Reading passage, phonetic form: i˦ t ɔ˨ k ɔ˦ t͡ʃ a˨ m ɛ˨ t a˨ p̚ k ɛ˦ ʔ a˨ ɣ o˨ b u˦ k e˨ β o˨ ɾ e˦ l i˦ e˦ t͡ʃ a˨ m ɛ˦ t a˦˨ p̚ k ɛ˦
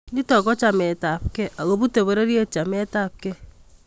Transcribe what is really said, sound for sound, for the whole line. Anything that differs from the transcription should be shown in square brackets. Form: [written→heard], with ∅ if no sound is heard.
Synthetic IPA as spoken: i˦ t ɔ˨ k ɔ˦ t͡ʃ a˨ m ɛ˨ t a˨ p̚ k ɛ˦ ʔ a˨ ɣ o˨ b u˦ [k→t] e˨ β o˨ ɾ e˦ [l→ɾ] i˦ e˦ t͡ʃ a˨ m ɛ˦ t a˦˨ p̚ k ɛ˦